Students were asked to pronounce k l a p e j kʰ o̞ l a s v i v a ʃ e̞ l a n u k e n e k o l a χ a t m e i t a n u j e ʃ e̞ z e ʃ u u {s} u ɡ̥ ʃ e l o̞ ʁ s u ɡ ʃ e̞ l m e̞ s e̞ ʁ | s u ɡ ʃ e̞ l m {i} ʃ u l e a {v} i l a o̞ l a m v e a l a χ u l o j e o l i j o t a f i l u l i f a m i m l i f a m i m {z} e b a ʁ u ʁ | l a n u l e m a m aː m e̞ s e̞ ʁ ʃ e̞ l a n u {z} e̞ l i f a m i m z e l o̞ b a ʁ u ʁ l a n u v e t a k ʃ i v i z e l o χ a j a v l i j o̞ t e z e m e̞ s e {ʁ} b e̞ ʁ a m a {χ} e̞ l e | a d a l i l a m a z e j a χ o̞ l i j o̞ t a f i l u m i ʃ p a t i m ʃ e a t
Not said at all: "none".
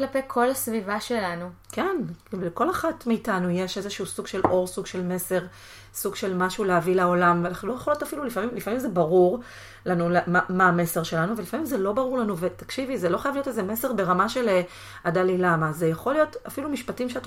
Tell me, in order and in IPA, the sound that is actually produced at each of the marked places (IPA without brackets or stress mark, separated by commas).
s, a, v, z, v, ʁ, ʃ